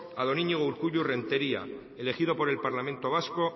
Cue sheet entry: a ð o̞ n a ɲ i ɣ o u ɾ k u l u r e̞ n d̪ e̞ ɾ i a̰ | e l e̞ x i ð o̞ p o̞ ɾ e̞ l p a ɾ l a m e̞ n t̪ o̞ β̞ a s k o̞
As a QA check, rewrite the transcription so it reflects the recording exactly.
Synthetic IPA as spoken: a ð o̞ n i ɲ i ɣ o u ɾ k u ʎ u r e̞ n t̪ e̞ ɾ i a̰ | e l e̞ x i ð o̞ p o̞ ɾ e̞ l p a ɾ l a m e̞ n t̪ o̞ β̞ a s k o̞